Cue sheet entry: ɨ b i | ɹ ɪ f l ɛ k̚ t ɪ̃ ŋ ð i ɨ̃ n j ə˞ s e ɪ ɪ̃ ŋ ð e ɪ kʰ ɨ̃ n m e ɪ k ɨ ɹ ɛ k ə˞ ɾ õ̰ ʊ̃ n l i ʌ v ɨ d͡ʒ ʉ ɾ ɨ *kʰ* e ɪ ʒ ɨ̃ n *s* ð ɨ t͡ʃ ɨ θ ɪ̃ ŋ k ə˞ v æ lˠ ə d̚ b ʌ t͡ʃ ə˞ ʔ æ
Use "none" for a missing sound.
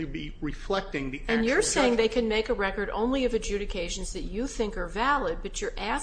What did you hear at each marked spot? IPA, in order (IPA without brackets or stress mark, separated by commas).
kʰ, z